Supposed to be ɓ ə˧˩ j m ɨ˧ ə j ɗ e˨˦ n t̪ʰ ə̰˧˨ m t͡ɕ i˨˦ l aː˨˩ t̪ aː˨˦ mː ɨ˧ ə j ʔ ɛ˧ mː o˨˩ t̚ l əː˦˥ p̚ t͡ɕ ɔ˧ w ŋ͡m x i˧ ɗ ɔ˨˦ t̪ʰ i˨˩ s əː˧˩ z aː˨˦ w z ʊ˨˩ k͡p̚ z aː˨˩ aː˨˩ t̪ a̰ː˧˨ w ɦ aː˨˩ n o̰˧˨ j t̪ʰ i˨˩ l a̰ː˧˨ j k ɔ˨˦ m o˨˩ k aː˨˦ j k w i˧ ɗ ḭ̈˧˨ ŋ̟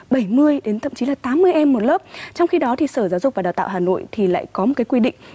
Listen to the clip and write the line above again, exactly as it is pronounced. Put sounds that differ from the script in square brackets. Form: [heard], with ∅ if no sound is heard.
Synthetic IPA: ɓ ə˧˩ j m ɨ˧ ə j ɗ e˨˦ n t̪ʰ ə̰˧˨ m t͡ɕ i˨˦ l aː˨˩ t̪ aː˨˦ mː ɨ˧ ə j ʔ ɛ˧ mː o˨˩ t̚ l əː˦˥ p̚ t͡ɕ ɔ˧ w ŋ͡m x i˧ ɗ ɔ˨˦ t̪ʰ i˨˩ s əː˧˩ z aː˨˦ w z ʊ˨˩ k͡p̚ [v] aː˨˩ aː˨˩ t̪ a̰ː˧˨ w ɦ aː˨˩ n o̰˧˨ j t̪ʰ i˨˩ l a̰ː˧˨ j k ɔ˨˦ m o˨˩ k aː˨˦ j k w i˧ ɗ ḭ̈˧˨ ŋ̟